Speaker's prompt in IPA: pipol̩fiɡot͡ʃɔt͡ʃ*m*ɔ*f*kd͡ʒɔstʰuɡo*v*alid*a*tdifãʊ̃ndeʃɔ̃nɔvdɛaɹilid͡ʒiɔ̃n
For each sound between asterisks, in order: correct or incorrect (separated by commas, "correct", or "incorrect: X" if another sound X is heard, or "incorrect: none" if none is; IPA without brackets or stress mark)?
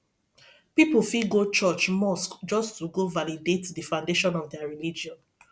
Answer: correct, incorrect: s, correct, incorrect: e